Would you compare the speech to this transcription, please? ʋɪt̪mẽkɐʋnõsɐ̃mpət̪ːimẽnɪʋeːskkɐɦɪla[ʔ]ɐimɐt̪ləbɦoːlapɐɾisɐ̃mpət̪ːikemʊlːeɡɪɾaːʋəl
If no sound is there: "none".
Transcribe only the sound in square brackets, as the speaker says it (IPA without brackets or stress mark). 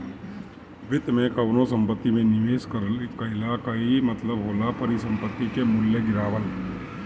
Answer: k